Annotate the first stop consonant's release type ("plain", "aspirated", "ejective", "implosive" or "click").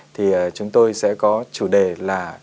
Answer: aspirated